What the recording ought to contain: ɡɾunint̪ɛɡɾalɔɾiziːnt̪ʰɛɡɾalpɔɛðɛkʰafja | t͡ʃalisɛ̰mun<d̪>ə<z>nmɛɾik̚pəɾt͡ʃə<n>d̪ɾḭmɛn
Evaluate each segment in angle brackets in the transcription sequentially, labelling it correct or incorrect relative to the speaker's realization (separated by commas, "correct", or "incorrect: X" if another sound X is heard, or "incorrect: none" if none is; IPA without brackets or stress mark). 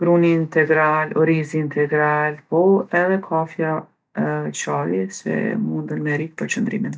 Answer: correct, incorrect: none, correct